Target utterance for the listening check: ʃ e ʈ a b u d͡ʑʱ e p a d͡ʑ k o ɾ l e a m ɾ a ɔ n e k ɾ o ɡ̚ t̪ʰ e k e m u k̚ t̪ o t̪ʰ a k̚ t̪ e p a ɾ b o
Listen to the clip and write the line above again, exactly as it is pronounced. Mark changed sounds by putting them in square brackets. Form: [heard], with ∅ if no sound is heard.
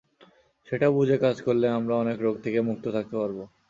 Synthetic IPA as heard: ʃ e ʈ a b u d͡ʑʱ e [k] a d͡ʑ k o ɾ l e a m ɾ a ɔ n e k ɾ o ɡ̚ t̪ʰ e k e m u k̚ t̪ o t̪ʰ a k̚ t̪ e p a ɾ b o